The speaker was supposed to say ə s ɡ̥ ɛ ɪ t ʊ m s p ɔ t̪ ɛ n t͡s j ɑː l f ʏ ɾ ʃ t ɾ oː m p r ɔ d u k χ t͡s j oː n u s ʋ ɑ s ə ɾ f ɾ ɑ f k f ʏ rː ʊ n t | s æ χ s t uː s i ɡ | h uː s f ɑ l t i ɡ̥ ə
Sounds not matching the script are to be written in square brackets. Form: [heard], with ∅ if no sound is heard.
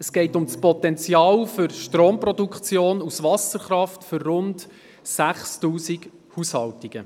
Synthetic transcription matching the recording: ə s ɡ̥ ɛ ɪ t ʊ m s p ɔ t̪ ɛ n t͡s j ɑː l f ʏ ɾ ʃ t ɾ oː m p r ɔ d u k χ t͡s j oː n u s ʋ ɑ s ə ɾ [χ] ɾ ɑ f [t] f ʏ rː ʊ n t | s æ χ s t uː s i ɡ | h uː s [h] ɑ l t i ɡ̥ ə